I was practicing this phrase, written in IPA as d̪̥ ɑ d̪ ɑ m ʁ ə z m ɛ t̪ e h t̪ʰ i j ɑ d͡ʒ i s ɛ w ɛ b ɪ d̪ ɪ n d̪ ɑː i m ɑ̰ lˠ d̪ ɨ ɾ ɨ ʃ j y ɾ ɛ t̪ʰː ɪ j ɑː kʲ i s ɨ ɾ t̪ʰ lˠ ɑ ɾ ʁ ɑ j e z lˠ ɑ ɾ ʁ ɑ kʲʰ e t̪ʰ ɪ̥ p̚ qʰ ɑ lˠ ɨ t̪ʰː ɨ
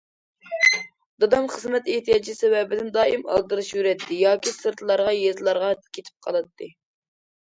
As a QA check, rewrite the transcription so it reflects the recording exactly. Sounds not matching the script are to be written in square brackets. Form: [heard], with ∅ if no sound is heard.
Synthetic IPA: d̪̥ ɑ d̪ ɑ m [χ] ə z m ɛ t̪ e h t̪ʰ i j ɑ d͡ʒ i s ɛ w ɛ b ɪ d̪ ɪ n d̪ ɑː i m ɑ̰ lˠ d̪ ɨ ɾ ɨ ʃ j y ɾ ɛ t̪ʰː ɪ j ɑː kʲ i s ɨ ɾ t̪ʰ lˠ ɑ ɾ ʁ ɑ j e z lˠ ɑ ɾ ʁ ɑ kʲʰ e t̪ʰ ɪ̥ p̚ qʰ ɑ lˠ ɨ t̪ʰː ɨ